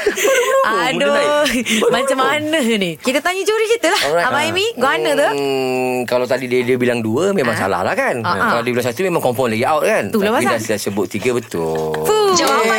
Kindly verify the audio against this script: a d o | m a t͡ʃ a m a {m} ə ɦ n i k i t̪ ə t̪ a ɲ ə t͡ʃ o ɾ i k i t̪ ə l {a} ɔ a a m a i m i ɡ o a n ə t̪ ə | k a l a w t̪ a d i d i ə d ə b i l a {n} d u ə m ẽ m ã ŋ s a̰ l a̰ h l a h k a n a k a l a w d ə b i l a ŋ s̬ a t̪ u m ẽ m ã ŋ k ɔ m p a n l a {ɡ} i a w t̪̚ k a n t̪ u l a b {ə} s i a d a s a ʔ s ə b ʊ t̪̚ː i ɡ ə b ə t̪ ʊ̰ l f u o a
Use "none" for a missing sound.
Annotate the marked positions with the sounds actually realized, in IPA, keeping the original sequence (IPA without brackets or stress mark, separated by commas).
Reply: n, a, ŋ, ɡ, a